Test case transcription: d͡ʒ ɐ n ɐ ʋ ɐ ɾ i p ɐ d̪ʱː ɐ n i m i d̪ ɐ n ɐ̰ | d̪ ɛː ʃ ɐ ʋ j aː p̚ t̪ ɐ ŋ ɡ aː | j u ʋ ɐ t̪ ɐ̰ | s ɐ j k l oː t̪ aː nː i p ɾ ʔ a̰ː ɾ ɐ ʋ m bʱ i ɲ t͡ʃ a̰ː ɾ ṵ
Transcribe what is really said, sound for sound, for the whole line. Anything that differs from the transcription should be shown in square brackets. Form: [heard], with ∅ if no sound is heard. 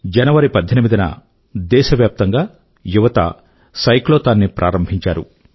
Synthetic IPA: d͡ʒ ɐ n ɐ ʋ ɐ ɾ i p ɐ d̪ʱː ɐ n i m i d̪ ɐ n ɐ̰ | d̪ ɛː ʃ ɐ ʋ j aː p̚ t̪ ɐ ŋ ɡ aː | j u ʋ ɐ t̪ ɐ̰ | s ɐ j k l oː t̪ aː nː i p ɾ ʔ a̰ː ɾ ɐ [∅] m bʱ i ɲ t͡ʃ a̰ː ɾ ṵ

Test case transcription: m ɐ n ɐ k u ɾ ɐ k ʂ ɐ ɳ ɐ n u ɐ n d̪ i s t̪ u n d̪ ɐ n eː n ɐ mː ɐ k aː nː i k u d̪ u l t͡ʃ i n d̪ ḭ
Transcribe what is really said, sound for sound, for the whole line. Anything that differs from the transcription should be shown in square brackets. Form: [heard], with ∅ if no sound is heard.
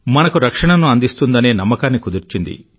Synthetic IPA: m ɐ n ɐ k u ɾ ɐ k ʂ ɐ ɳ ɐ n u ɐ n d̪ i s t̪ u n d̪ ɐ n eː n ɐ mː ɐ k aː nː i k u d̪ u [ɾ] t͡ʃ i n d̪ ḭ

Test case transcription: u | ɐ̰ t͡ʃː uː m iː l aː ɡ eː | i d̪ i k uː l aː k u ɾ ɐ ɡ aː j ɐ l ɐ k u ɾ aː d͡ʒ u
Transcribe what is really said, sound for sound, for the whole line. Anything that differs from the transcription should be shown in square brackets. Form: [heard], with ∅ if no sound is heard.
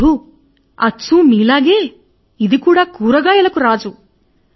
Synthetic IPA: u | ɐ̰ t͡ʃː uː m iː l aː ɡ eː | i d̪ i k uː [ɽ] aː k [uː] ɾ ɐ ɡ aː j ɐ l ɐ k u ɾ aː d͡ʒ u

